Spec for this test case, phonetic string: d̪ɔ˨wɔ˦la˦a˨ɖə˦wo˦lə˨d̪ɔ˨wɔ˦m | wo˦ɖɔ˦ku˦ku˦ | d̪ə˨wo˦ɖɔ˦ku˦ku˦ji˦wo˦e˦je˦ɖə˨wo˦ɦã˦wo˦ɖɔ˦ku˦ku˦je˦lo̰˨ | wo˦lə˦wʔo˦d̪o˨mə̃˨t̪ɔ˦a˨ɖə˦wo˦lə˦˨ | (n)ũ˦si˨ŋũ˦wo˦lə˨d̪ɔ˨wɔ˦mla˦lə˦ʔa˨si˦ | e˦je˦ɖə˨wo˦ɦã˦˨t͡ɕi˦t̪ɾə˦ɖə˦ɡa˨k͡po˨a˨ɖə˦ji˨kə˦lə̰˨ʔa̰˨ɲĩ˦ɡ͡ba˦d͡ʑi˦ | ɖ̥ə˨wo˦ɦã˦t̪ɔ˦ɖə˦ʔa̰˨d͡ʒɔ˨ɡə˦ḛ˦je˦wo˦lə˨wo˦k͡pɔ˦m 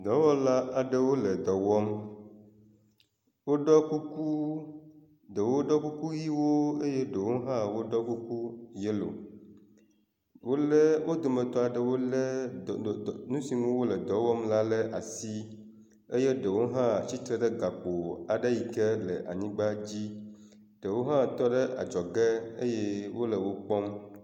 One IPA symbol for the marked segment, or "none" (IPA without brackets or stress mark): n